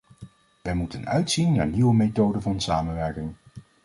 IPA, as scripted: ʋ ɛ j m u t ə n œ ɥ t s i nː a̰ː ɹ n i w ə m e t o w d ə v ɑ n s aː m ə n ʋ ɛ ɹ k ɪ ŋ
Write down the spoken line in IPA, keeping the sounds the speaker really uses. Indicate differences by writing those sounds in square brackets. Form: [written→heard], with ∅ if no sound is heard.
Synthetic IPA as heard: ʋ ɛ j m u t ə n œ ɥ t s i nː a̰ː ɹ n i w ə m e t o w d ə v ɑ n s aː m ə n ʋ ɛ ɹ k ɪ ŋ